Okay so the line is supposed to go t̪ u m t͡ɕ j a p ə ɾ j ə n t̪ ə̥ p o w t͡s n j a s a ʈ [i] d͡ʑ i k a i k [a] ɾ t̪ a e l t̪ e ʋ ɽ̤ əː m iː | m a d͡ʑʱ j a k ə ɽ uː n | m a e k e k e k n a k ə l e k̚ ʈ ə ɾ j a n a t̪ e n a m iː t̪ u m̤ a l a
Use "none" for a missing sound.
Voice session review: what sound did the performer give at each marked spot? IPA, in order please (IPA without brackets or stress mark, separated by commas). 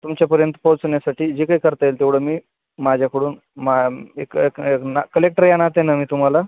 iː, ə